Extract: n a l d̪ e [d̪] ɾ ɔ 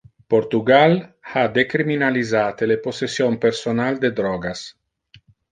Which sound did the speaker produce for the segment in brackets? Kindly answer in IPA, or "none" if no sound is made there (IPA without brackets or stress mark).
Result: d̪